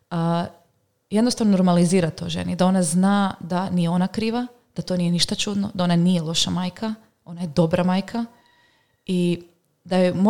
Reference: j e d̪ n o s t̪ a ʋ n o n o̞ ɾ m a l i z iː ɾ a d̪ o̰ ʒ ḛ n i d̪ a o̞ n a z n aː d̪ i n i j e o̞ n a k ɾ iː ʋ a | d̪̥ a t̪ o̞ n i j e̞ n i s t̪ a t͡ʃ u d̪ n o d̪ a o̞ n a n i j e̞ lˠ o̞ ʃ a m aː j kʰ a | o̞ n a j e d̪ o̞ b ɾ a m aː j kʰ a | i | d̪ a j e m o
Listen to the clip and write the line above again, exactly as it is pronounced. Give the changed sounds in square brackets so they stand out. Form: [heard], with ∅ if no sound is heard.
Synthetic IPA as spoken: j e d̪ n o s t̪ a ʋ n o n o̞ ɾ m a l i z iː ɾ a [t̪] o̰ ʒ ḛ n i d̪ a o̞ n a z n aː d̪ [a] n i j e o̞ n a k ɾ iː ʋ a | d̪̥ a t̪ o̞ n i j e̞ n i [ʃ] t̪ a t͡ʃ u d̪ n o d̪ a o̞ n a n i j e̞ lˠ o̞ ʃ a m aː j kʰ a | o̞ n a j e d̪ o̞ b ɾ a m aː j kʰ a | i | d̪ a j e m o